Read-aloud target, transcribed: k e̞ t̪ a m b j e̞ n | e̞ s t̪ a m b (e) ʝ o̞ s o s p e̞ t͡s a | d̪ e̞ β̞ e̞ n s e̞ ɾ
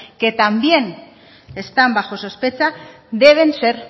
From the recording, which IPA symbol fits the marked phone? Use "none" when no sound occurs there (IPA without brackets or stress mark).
a